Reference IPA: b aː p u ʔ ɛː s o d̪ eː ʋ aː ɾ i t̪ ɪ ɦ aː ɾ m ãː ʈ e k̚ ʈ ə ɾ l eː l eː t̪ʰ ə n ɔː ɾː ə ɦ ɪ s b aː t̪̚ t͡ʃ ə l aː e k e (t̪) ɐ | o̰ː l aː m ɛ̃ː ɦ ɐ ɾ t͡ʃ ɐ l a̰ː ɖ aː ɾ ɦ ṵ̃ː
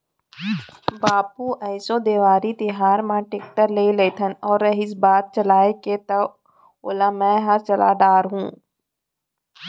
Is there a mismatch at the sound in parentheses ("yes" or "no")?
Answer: no